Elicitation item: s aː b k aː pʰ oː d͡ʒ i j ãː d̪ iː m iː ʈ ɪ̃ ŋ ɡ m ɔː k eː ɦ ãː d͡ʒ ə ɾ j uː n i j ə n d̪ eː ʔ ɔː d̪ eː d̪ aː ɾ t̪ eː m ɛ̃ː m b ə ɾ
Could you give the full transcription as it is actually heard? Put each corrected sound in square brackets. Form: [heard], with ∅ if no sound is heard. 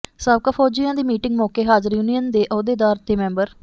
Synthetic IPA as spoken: s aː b k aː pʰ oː d͡ʒ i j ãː d̪ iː m iː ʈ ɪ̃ ŋ ɡ m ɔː k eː ɦ [aː] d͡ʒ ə ɾ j uː n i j ə n d̪ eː ʔ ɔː d̪ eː d̪ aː ɾ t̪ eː m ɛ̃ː m b ə ɾ